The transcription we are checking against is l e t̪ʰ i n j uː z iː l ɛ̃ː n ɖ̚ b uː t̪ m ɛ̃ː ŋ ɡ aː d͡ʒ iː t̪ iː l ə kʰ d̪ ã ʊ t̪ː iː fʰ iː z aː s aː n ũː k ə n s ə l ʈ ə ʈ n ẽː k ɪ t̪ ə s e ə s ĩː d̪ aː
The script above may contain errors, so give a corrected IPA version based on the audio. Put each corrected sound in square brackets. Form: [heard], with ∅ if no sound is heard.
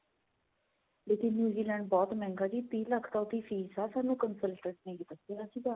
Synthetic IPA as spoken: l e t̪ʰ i n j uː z iː l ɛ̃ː [ɳ] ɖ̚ b [ɔː] t̪ m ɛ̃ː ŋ ɡ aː d͡ʒ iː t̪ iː l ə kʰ [t̪] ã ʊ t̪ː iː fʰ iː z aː s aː n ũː k ə n s ə l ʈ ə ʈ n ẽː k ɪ t̪ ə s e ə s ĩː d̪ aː